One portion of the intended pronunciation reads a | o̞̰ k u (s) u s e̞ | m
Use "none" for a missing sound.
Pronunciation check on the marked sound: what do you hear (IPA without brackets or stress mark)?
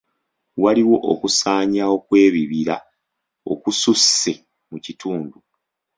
s